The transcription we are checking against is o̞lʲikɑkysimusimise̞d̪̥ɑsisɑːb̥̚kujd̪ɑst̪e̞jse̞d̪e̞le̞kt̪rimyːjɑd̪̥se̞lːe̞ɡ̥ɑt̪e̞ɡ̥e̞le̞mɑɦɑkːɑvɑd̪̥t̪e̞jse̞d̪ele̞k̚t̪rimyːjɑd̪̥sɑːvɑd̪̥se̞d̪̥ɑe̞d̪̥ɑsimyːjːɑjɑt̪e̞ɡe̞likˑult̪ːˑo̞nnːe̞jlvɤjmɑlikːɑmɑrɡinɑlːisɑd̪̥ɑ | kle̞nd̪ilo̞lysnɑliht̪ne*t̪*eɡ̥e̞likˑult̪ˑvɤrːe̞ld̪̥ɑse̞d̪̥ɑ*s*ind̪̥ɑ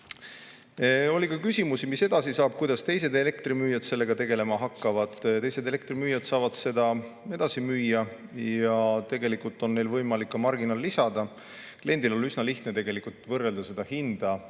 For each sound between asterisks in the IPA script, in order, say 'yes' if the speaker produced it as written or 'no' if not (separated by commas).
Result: yes, no